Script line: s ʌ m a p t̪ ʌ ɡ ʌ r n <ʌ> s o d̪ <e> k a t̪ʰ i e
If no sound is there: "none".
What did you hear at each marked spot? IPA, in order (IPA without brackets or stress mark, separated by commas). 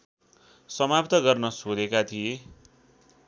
ʌ, e